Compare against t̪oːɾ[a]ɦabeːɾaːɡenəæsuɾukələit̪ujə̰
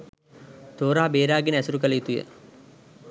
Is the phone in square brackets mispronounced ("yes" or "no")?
no